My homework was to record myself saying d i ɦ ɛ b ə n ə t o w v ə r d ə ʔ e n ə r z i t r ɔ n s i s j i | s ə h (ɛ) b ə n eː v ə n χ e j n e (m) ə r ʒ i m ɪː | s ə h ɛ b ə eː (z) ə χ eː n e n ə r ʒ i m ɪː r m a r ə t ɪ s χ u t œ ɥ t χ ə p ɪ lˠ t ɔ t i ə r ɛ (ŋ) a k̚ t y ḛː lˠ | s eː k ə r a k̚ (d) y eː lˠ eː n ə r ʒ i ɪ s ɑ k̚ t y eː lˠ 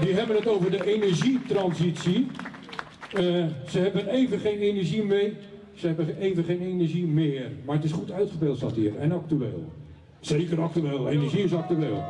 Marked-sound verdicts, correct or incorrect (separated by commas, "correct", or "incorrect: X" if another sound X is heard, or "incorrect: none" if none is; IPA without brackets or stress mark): correct, incorrect: n, incorrect: v, incorrect: n, incorrect: t